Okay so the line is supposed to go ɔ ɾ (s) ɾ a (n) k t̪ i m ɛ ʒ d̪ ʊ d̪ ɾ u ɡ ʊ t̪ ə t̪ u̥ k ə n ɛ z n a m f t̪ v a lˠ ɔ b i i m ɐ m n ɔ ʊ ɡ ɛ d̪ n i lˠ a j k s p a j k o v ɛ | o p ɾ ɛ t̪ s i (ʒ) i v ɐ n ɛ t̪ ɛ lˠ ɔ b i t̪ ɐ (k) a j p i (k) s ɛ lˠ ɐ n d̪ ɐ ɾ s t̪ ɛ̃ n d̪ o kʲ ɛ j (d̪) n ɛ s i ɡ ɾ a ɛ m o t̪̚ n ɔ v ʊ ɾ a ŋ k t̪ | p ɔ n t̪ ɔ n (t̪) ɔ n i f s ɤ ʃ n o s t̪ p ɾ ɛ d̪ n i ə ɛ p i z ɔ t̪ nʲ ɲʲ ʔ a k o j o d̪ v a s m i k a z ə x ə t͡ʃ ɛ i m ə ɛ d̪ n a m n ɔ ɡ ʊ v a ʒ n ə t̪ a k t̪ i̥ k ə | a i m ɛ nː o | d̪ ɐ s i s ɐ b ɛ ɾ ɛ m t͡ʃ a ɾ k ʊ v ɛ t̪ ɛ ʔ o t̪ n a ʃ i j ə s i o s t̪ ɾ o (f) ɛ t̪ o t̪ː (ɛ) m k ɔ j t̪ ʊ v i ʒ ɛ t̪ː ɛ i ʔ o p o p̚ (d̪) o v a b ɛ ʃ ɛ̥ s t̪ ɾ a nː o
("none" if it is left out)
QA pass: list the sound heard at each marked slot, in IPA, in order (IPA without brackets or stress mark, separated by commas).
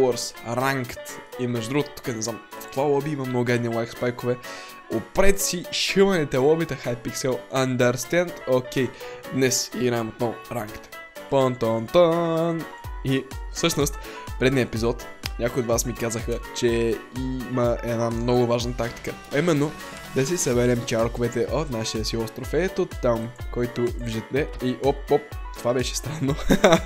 s, ŋ, ʃ, x, k, d̪, t̪, f, a, t̪